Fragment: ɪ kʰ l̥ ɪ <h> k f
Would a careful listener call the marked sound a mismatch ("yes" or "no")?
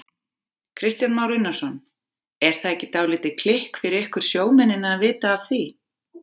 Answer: no